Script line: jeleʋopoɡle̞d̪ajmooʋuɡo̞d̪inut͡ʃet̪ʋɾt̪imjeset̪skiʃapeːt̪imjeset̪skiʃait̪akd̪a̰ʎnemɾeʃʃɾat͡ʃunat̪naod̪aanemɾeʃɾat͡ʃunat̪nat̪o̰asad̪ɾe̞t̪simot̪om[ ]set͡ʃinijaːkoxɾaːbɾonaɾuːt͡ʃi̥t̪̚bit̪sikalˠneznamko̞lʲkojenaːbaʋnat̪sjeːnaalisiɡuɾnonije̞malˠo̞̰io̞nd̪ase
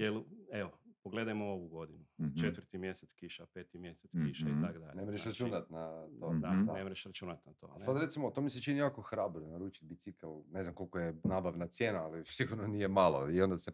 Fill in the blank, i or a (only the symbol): i